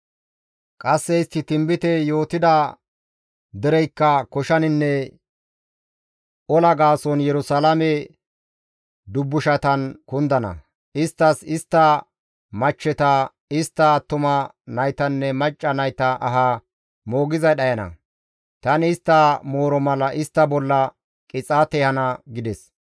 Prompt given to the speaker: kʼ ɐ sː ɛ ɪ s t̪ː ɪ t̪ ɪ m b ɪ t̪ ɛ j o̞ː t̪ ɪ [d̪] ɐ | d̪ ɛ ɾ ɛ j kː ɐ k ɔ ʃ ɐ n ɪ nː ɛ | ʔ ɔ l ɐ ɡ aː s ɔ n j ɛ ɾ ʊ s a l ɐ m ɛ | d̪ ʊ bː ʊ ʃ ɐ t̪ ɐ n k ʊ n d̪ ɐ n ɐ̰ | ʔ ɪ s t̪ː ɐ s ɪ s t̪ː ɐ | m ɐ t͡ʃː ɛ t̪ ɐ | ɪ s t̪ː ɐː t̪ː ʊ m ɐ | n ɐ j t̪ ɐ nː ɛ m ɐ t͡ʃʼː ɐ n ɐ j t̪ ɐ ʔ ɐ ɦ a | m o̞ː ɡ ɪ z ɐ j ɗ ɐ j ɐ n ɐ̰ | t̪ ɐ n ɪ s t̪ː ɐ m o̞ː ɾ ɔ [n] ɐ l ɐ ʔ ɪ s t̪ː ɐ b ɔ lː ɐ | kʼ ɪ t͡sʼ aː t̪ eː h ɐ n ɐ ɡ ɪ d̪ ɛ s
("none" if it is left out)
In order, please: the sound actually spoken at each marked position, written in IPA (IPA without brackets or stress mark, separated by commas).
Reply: d̪, m